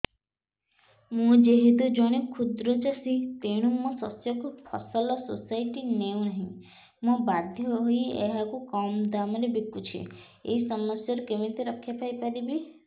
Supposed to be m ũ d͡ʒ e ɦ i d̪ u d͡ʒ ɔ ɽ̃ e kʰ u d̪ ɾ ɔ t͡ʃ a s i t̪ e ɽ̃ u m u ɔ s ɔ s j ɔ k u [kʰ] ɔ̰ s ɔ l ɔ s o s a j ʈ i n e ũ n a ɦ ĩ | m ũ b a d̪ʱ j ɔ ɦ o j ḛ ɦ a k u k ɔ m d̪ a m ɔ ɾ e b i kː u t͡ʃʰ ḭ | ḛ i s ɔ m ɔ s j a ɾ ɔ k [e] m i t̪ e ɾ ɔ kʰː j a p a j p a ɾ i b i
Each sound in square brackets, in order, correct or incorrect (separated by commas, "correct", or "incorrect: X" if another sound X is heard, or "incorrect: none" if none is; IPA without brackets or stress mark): incorrect: pʰ, correct